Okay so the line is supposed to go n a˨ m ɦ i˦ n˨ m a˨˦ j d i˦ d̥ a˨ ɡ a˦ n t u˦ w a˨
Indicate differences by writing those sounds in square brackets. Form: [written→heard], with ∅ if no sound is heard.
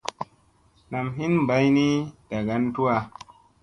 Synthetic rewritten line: n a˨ m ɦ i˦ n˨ [m→b] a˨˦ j [d→n] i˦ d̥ a˨ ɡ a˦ n t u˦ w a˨